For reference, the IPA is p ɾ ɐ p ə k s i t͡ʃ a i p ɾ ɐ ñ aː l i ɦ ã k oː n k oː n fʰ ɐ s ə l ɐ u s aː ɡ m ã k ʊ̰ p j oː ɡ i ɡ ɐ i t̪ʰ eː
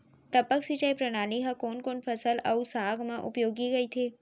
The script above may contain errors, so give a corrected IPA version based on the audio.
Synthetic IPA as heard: p ɾ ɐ p ə k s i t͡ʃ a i p ɾ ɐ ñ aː l i ɦ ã k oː n k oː n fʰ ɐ s ə l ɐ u s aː ɡ m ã ʔ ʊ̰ p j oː ɡ i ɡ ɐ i t̪ʰ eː